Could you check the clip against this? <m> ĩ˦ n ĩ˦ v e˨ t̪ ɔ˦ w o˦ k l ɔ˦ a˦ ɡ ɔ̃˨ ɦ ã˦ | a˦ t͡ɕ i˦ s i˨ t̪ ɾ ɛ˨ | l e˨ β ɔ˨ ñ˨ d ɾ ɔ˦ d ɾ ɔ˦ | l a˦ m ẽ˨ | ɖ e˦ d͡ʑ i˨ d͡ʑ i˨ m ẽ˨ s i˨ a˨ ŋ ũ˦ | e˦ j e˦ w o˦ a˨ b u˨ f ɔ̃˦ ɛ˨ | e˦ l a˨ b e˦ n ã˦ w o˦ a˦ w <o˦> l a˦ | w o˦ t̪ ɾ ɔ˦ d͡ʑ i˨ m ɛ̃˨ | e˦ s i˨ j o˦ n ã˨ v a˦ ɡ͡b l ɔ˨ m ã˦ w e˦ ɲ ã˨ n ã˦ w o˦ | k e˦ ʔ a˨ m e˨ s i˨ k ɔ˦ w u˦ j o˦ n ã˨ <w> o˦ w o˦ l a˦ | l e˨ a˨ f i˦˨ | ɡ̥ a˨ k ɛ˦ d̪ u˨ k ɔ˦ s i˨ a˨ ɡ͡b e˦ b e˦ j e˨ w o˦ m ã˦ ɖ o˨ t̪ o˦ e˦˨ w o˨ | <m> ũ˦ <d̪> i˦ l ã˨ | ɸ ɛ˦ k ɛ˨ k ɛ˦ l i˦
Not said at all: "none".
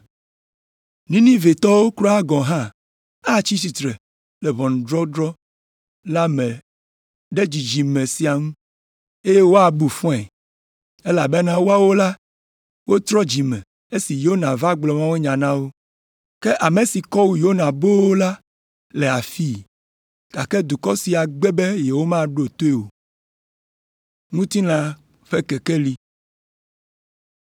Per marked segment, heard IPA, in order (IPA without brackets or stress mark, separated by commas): n, o˦, b, ŋ, t̪